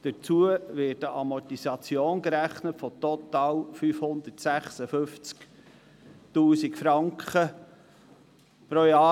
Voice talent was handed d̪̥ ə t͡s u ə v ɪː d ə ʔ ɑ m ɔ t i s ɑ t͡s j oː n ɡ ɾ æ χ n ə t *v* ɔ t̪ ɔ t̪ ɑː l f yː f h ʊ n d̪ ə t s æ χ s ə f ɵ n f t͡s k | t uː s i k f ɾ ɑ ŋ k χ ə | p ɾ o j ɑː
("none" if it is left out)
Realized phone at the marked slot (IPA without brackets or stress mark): f